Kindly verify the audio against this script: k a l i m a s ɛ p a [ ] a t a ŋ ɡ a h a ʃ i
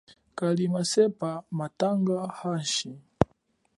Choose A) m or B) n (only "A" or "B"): A